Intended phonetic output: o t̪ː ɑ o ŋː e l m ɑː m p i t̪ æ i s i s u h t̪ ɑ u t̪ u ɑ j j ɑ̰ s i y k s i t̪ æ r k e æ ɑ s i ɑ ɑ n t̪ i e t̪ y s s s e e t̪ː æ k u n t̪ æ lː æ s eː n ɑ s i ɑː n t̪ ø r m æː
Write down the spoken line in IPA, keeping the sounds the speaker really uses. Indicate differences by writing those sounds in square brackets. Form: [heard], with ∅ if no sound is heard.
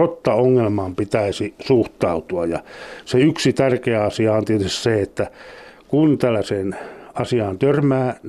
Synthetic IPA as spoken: o t̪ː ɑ o ŋː e l m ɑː m p i t̪ æ i s i s u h t̪ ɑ u t̪ u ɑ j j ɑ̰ s [e] y k s i t̪ æ r k e æ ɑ s i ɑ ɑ n t̪ i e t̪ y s s s e e t̪ː æ k u n t̪ æ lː æ s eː n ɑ s i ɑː n t̪ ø r m æː